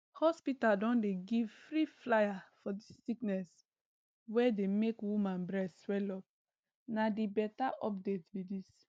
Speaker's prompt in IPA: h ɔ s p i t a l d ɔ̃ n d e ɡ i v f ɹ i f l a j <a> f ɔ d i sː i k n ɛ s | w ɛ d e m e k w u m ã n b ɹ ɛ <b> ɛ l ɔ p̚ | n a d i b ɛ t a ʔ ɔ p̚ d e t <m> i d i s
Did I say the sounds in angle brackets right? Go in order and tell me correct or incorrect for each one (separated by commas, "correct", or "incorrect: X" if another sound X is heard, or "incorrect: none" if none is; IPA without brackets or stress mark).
correct, incorrect: w, incorrect: b